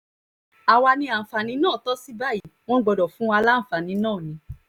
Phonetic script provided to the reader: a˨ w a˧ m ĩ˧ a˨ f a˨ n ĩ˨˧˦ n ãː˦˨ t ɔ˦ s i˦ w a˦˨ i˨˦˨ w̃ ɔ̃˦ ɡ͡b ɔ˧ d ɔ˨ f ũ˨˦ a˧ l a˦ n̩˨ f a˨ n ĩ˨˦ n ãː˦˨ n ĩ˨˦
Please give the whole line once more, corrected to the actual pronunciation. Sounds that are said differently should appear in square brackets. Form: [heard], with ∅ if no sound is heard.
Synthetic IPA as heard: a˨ w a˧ [n] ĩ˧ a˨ f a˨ n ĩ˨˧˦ n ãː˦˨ t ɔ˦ s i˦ [b] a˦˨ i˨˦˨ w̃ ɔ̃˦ ɡ͡b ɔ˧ d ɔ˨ f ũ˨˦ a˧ l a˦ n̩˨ f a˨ n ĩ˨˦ n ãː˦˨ n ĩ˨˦